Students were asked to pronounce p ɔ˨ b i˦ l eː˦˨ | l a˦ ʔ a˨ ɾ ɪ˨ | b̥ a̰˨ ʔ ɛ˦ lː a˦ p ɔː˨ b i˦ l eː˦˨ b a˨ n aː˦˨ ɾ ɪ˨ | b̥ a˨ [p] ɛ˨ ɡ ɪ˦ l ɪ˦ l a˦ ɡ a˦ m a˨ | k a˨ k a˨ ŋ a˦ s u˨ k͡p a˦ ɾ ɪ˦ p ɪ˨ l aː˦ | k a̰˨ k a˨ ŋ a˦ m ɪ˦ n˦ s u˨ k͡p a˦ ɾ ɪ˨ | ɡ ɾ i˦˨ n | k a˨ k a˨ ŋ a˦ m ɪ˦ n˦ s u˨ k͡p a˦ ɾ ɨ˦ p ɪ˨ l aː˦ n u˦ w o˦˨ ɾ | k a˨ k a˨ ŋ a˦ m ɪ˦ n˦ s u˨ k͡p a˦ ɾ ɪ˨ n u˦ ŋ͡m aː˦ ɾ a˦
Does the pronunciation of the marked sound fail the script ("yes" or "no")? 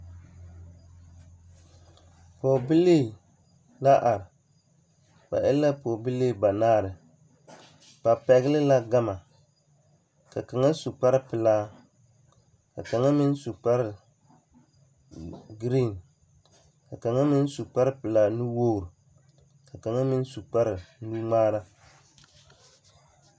no